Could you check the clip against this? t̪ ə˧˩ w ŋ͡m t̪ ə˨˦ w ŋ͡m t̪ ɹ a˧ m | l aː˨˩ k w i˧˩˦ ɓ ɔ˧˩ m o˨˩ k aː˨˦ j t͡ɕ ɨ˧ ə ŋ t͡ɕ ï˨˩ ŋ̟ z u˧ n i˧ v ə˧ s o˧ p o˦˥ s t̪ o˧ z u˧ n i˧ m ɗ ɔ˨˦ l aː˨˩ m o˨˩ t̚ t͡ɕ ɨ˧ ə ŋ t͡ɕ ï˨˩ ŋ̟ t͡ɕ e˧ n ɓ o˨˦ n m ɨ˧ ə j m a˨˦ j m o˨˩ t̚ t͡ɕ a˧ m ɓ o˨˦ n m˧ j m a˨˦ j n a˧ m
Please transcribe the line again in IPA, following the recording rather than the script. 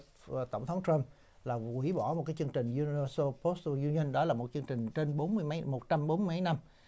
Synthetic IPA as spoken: t̪ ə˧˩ w ŋ͡m t̪ʰ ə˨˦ w ŋ͡m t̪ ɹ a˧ m | l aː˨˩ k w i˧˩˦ ɓ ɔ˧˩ m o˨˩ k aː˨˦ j t͡ɕ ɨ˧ ə ŋ t͡ɕ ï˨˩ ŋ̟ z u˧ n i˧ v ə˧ s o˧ p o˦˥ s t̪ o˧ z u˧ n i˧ n ɗ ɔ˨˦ l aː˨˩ m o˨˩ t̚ t͡ɕ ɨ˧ ə ŋ t͡ɕ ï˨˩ ŋ̟ t͡ɕ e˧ n ɓ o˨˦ n m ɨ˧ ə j m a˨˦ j m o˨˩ t̚ t͡ɕ a˧ m ɓ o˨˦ n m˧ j m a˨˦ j n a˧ m

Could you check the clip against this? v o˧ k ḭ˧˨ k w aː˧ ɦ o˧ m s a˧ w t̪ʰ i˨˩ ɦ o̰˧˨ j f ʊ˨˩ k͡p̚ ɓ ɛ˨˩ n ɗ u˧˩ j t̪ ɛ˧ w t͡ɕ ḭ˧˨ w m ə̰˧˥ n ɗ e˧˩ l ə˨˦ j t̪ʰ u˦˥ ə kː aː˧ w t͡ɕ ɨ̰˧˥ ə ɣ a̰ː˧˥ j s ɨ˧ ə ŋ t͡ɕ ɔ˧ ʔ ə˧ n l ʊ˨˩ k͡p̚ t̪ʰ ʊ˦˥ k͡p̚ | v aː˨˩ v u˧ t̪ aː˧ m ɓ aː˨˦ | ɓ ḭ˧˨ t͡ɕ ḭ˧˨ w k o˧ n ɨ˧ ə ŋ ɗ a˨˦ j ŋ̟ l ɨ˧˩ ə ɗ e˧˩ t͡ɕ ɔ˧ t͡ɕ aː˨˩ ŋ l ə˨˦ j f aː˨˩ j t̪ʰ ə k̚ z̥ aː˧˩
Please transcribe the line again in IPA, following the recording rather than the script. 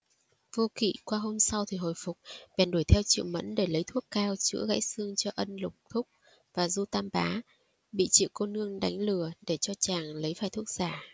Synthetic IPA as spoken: v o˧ k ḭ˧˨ k w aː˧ ɦ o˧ m s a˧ w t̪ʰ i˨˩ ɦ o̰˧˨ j f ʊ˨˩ k͡p̚ ɓ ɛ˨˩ n ɗ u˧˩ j t̪ʰ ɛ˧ w t͡ɕ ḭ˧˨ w m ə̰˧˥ n ɗ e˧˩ l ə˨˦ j t̪ʰ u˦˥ ə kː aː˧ w t͡ɕ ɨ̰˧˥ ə ɣ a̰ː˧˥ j s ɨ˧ ə ŋ t͡ɕ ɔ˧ ʔ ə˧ n l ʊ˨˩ k͡p̚ t̪ʰ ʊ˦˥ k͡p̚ | v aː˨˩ z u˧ t̪ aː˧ m ɓ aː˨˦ | ɓ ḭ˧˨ t͡ɕ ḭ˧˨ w k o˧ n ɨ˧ ə ŋ ɗ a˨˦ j ŋ̟ l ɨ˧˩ ə ɗ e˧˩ t͡ɕ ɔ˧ t͡ɕ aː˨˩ ŋ l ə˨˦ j f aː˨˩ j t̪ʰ ə k̚ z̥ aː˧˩

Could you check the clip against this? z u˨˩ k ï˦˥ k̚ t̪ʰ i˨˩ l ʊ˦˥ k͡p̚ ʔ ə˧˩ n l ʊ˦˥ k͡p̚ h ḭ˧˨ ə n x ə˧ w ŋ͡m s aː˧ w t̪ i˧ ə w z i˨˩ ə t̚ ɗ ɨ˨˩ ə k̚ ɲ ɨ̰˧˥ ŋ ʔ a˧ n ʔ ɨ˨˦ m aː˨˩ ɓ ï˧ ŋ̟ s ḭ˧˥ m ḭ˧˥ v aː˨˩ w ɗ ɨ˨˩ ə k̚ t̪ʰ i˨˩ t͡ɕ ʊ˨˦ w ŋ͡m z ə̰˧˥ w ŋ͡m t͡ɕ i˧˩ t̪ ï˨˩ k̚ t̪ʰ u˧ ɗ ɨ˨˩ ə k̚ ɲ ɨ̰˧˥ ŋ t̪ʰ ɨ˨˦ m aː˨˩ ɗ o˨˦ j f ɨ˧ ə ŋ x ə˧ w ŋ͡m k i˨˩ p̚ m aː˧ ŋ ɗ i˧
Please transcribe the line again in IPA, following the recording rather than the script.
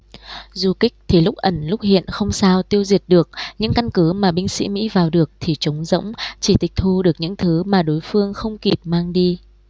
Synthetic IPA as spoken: z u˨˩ k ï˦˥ k̚ t̪ʰ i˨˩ l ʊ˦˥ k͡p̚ ʔ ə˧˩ n l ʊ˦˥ k͡p̚ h ḭ˧˨ ə n x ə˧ w ŋ͡m s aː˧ w t̪ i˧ ə w z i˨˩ ə t̚ ɗ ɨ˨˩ ə k̚ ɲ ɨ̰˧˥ ŋ k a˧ n k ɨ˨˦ m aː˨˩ ɓ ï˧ ŋ̟ s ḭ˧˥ m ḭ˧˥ v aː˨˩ w ɗ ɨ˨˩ ə k̚ t̪ʰ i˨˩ t͡ɕ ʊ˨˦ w ŋ͡m z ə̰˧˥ w ŋ͡m t͡ɕ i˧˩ t̪ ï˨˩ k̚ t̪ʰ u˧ ɗ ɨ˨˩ ə k̚ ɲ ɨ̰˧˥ ŋ t̪ʰ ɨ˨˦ m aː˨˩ ɗ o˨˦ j f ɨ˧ ə ŋ x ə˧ w ŋ͡m k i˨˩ p̚ m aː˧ ŋ ɗ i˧

